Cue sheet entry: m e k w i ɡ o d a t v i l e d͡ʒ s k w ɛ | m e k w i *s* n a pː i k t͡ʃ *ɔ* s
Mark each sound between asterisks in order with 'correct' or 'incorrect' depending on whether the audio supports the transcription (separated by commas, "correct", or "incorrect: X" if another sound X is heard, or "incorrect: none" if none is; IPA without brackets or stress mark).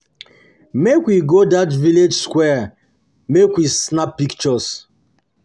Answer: correct, correct